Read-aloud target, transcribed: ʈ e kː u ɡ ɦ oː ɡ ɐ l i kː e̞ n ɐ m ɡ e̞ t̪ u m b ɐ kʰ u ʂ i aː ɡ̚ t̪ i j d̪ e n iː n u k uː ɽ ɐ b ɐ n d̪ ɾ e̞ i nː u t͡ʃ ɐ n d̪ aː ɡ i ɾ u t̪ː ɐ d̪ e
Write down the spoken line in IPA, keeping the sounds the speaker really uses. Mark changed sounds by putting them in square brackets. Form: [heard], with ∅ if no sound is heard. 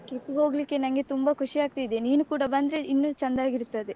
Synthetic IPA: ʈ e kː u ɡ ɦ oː ɡ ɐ l i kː e̞ n ɐ [ŋ] ɡ e̞ t̪ u m b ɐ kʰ u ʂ i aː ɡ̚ t̪ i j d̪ e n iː n u k uː ɽ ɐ b ɐ n d̪ ɾ e̞ i nː u t͡ʃ ɐ n d̪ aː ɡ i ɾ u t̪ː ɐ d̪ e